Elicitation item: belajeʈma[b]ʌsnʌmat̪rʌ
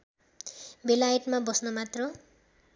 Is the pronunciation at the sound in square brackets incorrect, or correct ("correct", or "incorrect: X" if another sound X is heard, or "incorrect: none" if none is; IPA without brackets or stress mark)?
correct